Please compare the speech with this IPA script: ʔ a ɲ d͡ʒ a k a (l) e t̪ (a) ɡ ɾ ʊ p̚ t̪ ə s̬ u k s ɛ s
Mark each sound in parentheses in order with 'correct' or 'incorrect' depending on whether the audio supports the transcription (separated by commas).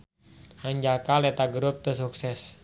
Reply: correct, correct